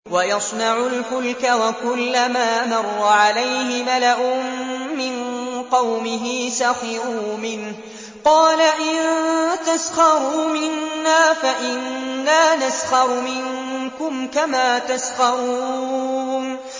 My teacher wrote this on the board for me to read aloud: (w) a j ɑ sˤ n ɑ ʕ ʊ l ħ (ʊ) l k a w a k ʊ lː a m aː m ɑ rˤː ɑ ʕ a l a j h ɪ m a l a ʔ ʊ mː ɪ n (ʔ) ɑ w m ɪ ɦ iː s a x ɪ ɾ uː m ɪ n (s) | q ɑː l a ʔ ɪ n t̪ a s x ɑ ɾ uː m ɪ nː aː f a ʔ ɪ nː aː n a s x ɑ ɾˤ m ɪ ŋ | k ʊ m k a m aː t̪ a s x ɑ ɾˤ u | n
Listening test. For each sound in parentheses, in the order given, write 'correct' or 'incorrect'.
correct, correct, incorrect: q, incorrect: h

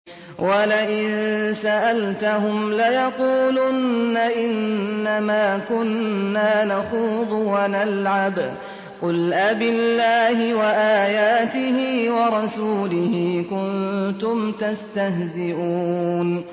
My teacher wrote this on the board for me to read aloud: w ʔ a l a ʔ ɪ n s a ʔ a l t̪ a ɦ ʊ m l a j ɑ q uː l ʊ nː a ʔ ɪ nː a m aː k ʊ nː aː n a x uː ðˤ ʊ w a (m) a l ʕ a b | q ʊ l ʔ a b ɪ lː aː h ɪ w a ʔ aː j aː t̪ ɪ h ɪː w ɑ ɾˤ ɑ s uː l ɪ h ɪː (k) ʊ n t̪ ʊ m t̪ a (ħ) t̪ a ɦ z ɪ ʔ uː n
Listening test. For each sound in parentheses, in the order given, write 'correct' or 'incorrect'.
incorrect: n, correct, incorrect: s

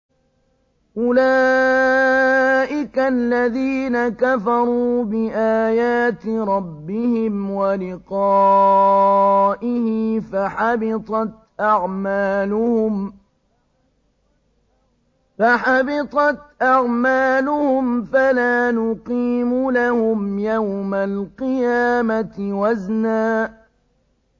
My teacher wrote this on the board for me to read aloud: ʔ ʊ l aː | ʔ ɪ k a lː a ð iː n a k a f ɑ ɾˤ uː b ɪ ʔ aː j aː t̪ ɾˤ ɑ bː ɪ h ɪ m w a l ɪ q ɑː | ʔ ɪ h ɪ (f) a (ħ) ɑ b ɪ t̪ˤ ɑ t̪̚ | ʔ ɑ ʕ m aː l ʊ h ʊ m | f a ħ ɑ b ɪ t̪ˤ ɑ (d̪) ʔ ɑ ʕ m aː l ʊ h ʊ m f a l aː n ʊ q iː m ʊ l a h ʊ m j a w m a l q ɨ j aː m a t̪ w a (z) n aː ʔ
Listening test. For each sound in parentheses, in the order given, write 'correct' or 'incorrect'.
correct, correct, incorrect: t̪, correct

